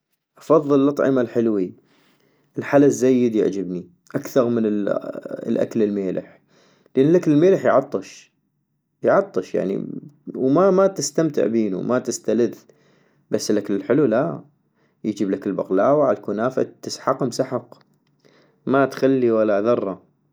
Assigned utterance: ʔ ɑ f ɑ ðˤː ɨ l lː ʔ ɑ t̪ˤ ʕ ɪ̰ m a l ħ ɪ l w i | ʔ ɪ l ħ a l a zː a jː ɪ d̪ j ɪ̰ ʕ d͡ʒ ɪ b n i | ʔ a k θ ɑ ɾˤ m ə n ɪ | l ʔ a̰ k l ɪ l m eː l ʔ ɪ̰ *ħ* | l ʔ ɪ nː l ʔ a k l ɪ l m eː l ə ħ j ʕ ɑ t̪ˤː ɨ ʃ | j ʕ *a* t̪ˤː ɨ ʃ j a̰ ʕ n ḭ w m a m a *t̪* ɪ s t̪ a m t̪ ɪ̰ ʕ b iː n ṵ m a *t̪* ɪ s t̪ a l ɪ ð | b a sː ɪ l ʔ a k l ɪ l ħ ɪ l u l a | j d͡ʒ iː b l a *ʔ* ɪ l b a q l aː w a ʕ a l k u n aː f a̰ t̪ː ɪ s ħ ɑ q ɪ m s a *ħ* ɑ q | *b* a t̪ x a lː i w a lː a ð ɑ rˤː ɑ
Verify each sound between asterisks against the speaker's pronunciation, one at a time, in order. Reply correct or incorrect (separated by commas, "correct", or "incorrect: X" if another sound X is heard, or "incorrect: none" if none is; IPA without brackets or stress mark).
correct, incorrect: ɑ, correct, correct, incorrect: k, correct, incorrect: m